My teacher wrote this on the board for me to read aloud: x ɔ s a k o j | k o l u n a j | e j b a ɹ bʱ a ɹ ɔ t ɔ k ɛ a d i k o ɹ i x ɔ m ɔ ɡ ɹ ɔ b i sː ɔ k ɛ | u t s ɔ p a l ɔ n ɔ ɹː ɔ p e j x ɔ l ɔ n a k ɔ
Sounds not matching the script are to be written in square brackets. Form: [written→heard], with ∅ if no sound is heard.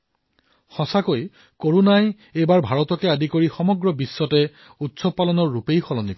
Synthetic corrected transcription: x ɔ s a k o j | k o [l→ɹ] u n a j | e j b a ɹ bʱ a ɹ ɔ t ɔ k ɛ a d i k o ɹ i x ɔ m ɔ ɡ ɹ ɔ b i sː ɔ [k→t] ɛ | u t s ɔ p a l ɔ n ɔ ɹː [ɔ→u] p e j x ɔ l ɔ n [a→i] k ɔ